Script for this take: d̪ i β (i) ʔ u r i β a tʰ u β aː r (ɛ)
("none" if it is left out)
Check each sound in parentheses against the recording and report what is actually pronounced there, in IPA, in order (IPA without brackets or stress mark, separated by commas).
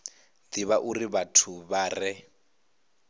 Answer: a, ɛ